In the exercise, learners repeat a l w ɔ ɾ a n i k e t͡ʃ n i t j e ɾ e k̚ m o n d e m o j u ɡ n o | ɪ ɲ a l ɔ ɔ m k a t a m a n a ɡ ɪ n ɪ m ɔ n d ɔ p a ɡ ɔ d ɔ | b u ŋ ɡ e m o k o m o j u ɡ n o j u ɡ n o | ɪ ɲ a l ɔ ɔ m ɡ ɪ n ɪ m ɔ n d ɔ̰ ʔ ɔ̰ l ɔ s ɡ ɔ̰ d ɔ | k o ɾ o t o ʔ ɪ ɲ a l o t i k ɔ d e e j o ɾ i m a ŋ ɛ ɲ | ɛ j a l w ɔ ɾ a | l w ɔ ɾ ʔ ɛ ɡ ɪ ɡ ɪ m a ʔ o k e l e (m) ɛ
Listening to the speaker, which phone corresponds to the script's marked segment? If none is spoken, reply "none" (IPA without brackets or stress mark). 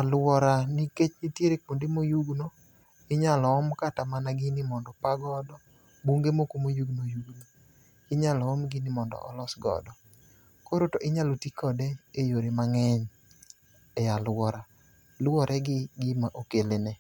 n